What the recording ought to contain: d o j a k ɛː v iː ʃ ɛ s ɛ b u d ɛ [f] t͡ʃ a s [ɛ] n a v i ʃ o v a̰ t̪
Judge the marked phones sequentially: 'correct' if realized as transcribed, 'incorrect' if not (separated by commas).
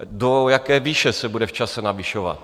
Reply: correct, correct